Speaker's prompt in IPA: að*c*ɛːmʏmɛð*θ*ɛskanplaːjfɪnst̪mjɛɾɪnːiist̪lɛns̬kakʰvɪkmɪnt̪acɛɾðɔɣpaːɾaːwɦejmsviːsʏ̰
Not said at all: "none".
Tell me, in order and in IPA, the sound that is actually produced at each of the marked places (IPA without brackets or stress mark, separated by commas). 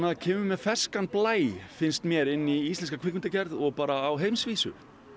cʰ, f